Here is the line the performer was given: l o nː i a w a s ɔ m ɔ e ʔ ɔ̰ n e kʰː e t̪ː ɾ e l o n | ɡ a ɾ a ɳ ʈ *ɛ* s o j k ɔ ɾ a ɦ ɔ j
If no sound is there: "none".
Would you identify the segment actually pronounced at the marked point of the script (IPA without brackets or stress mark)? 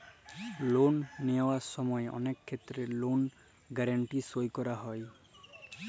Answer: i